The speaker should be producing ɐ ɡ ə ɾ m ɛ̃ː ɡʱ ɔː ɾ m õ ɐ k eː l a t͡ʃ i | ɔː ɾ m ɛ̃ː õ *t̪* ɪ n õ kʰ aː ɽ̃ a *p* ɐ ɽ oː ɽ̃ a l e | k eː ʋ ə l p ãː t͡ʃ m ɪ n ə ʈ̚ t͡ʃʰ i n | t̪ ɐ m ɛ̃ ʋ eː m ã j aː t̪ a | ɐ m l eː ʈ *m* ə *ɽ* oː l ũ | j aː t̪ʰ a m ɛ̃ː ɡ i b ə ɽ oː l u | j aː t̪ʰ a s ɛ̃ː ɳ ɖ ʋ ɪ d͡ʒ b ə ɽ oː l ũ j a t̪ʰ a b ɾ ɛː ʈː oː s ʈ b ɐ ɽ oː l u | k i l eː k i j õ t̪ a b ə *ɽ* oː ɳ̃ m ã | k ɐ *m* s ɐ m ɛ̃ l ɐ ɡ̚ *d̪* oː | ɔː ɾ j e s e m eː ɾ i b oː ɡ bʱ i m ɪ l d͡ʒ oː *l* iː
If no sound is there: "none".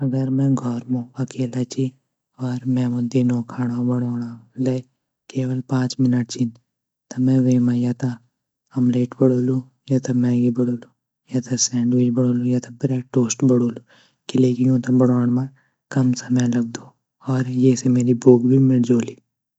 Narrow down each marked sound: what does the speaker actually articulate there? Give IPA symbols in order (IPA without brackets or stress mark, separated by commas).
d̪, b, b, ɽ, ɽ, m, d̪, l